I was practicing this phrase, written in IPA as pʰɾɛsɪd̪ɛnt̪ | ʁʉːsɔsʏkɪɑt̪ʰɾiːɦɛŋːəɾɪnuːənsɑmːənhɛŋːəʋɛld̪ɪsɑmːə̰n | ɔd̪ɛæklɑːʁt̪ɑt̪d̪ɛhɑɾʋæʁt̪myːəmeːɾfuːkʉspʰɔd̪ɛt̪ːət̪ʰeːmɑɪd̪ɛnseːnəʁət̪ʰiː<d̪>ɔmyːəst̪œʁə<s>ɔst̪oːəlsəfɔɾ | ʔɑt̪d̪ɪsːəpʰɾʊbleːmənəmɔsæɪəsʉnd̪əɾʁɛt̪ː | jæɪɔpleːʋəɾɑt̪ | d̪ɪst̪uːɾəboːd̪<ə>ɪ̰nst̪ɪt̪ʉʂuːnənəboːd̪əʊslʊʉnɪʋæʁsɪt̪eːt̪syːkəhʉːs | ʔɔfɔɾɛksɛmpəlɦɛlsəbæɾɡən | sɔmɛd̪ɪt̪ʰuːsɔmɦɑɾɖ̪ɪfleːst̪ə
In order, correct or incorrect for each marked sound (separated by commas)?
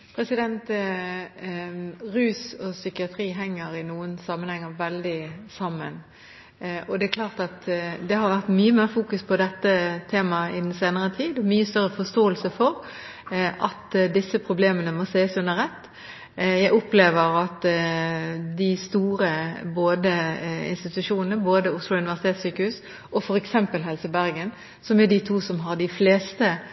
correct, incorrect, correct